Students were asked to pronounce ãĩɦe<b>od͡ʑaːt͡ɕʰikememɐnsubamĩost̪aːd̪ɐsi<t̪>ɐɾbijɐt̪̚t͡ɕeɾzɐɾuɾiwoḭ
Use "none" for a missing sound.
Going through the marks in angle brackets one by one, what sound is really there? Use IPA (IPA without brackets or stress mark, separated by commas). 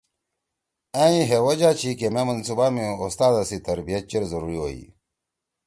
w, t̪